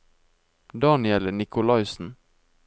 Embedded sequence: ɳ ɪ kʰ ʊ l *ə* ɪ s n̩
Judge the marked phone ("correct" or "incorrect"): incorrect